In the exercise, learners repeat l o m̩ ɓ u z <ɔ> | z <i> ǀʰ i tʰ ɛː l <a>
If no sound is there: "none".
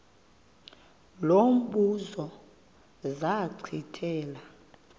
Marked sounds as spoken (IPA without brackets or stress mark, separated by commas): ɔ, a, a